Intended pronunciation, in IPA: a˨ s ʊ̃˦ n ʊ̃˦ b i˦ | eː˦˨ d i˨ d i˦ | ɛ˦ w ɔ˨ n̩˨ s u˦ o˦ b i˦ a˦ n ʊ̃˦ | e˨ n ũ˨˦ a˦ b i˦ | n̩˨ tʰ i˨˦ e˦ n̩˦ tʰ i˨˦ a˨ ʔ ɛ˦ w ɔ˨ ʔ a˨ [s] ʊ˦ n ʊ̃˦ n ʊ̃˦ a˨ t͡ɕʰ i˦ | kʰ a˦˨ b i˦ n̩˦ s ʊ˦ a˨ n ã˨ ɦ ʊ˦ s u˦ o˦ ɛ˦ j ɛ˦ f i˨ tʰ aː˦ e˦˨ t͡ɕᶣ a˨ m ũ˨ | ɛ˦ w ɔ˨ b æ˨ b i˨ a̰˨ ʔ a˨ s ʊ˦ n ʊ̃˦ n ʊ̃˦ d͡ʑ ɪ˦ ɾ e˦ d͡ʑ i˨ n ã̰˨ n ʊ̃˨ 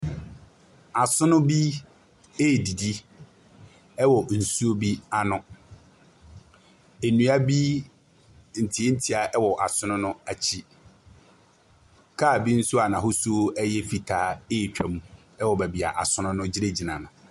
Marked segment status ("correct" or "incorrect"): correct